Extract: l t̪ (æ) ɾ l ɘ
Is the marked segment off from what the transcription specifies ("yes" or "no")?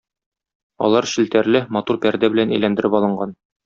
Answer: no